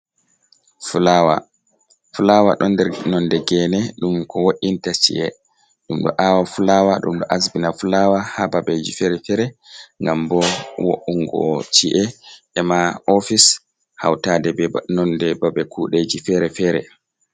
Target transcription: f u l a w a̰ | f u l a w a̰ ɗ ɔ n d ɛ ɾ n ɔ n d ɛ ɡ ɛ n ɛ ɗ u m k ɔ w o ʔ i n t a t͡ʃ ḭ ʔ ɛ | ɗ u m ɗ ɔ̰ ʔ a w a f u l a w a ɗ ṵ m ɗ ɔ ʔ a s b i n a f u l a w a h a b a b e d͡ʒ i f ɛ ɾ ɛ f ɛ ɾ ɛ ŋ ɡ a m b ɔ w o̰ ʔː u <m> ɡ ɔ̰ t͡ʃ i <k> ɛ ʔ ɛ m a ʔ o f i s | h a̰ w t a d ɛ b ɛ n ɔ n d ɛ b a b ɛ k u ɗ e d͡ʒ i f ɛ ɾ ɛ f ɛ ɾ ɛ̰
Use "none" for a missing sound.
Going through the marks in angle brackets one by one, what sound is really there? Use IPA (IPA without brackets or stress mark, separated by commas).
ŋ, ʔ